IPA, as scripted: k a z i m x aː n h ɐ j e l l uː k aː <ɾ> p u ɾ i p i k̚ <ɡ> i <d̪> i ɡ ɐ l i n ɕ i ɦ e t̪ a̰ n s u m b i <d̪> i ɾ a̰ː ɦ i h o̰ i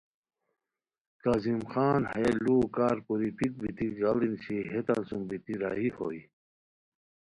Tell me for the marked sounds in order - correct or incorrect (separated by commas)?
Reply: correct, incorrect, incorrect, incorrect